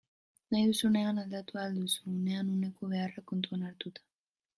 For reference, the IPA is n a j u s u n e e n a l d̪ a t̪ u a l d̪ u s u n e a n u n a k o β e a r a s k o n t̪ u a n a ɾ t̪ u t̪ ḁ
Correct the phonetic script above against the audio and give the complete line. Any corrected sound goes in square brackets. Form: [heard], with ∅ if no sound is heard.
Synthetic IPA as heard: n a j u s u n e [a] n a l d̪ a t̪ u a l d̪ u s u n e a n u n [e] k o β e a r a [∅] k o n t̪ u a n a ɾ t̪ u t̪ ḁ

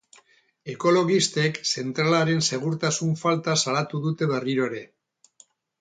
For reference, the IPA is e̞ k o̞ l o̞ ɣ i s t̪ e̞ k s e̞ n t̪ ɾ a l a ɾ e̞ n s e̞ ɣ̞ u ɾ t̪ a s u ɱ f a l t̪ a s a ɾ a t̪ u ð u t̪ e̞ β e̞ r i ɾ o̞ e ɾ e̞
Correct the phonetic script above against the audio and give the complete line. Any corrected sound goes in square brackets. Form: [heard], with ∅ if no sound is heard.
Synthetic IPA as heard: e̞ k o̞ l o̞ ɣ i s t̪ e̞ k s e̞ n t̪ ɾ a l a ɾ e̞ n s e̞ ɣ̞ u ɾ t̪ a s u ɱ f a l t̪ a s a [l] a t̪ u ð u t̪ e̞ β e̞ r i ɾ o̞ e ɾ e̞

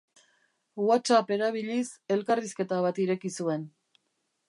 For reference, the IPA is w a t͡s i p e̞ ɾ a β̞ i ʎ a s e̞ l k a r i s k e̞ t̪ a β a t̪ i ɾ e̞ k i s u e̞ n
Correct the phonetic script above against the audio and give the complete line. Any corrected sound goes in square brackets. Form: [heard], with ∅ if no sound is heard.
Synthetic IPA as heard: w a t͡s [a] p e̞ ɾ a β̞ i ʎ [i] s e̞ l k a r i s k e̞ t̪ a β a t̪ i ɾ e̞ k i s u e̞ n

